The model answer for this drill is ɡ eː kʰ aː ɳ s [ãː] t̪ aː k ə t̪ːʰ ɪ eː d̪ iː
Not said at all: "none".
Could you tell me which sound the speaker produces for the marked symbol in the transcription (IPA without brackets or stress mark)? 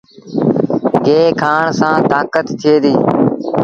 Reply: ãː